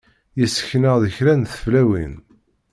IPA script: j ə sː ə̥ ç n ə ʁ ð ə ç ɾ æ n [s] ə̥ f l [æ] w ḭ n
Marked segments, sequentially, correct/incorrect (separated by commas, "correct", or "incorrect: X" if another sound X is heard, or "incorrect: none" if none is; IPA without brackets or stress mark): incorrect: θ, correct